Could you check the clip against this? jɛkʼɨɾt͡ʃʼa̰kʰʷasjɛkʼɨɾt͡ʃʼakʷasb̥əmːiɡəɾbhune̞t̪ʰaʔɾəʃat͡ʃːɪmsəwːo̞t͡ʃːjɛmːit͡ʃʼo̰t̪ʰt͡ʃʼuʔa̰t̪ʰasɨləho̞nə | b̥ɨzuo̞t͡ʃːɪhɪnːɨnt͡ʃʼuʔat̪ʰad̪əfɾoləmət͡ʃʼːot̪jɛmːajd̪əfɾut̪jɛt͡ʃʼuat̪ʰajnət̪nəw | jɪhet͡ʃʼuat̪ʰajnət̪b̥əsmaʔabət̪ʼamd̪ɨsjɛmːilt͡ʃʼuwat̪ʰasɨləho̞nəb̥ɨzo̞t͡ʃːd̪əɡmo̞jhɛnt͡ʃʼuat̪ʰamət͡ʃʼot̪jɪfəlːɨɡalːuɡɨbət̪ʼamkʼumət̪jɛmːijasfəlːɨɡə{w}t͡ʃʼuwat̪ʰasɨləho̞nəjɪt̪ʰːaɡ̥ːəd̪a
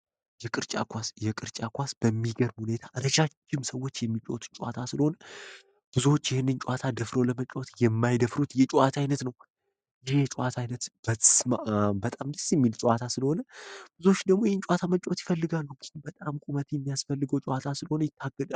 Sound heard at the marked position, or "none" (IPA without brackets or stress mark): w